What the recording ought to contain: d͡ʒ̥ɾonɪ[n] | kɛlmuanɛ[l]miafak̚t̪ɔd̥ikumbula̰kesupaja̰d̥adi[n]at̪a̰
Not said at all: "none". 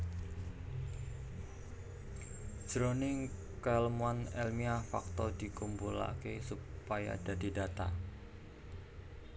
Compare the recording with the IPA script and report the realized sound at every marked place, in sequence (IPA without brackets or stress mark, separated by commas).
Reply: ŋ, l, d